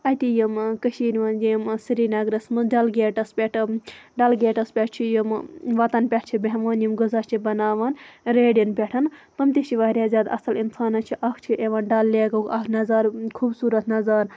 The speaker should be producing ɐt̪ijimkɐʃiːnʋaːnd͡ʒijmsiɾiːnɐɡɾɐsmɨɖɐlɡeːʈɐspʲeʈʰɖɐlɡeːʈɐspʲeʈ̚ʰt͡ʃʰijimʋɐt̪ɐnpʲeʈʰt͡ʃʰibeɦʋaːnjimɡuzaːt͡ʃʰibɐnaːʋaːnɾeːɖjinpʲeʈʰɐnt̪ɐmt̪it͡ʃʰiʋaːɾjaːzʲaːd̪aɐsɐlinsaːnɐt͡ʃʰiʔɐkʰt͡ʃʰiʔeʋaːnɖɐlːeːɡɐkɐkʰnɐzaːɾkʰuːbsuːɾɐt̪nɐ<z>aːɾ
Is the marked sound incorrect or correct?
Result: correct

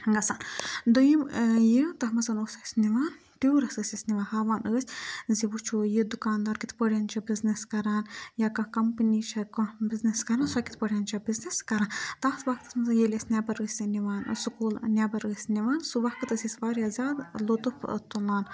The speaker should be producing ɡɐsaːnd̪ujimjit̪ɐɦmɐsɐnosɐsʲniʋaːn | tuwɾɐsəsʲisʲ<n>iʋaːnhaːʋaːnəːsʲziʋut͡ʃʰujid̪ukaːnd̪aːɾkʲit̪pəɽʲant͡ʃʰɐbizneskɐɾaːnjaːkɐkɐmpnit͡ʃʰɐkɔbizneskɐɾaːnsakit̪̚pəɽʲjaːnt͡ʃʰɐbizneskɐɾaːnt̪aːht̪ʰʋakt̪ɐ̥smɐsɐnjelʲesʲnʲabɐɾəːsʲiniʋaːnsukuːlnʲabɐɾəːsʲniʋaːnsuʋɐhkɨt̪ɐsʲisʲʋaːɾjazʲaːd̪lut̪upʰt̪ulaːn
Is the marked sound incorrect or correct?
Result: correct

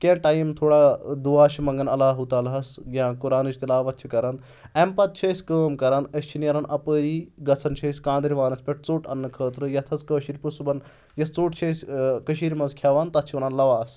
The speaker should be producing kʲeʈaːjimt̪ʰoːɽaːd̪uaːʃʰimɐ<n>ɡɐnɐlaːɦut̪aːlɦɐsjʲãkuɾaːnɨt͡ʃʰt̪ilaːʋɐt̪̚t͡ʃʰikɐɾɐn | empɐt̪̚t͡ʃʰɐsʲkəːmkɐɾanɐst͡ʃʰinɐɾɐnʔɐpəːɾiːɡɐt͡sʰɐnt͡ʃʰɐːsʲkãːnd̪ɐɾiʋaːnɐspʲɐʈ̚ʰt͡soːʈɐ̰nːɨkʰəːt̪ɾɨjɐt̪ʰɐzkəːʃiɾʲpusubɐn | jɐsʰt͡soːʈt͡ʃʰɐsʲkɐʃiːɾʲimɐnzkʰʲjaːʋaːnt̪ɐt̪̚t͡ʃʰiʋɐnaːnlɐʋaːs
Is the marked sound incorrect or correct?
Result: incorrect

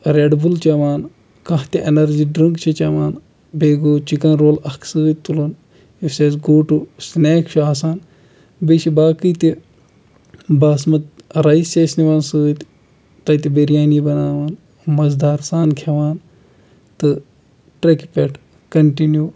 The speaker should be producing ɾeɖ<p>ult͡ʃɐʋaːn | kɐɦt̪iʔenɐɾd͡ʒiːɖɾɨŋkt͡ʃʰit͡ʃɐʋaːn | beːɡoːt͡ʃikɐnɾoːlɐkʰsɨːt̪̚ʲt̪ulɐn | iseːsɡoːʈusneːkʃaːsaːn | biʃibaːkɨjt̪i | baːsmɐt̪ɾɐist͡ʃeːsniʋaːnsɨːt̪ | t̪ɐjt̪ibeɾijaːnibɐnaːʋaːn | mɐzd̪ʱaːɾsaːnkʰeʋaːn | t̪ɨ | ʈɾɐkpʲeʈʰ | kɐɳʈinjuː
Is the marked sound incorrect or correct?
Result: incorrect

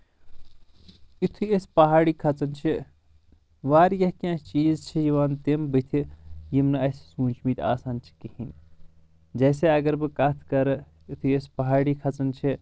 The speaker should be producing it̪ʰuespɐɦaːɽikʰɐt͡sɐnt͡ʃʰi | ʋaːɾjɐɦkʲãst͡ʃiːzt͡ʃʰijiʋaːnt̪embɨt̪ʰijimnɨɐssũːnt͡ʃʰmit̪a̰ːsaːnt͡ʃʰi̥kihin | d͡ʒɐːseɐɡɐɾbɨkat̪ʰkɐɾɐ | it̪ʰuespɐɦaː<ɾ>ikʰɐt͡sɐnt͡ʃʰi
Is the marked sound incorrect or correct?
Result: incorrect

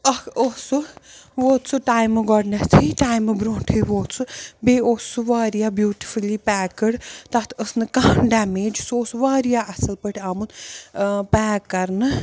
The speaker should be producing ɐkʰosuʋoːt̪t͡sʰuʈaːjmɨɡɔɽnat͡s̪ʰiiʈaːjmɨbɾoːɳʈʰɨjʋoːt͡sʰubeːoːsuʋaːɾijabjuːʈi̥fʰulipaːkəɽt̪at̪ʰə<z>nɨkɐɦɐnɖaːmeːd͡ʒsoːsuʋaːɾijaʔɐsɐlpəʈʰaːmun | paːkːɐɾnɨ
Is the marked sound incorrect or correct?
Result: incorrect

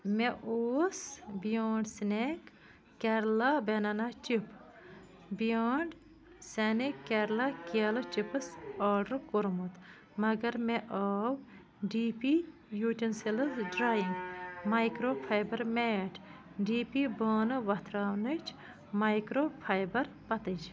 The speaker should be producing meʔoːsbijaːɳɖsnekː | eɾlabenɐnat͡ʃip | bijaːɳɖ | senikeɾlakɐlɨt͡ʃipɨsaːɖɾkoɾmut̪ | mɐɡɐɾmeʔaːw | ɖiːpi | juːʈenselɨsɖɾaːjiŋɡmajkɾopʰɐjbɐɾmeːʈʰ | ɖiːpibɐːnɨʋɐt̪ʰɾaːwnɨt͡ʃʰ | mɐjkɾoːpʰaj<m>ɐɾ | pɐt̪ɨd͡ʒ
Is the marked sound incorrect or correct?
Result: incorrect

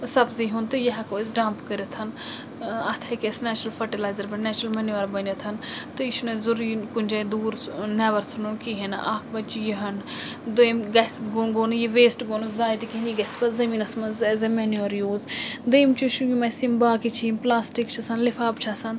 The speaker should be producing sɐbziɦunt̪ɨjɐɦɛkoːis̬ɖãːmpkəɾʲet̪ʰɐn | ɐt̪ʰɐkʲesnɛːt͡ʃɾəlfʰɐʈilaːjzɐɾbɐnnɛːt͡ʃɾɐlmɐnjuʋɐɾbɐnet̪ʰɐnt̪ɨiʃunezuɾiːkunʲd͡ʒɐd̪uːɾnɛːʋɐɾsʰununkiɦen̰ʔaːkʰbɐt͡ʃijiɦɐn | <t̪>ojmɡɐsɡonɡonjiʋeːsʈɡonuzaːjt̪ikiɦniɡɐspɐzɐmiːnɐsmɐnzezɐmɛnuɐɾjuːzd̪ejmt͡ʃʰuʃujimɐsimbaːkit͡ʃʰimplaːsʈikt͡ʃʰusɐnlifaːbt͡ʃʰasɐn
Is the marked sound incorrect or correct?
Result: incorrect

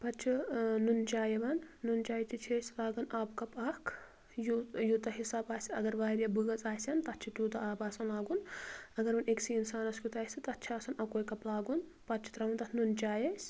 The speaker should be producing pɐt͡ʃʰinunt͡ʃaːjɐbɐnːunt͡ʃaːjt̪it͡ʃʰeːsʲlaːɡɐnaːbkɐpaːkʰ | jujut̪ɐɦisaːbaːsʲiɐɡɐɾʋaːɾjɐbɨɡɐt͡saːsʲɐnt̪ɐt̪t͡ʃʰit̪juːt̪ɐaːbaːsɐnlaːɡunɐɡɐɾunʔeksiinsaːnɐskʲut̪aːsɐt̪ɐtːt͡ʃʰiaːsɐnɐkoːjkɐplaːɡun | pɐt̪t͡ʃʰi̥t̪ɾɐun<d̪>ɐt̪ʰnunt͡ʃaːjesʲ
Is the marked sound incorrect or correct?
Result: incorrect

